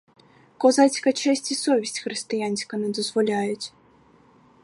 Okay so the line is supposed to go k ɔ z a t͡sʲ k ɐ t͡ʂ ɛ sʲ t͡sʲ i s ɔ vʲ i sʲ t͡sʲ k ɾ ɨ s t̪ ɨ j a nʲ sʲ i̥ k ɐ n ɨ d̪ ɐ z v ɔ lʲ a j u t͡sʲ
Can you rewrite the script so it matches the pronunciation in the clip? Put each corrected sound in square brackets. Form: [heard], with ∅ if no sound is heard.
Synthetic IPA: k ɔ z a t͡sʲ k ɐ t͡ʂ ɛ sʲ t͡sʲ i s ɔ vʲ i sʲ t͡sʲ [x] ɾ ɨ s t̪ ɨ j a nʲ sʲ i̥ k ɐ n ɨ d̪ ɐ z v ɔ lʲ a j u t͡sʲ